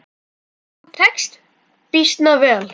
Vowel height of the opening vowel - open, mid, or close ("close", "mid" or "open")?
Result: mid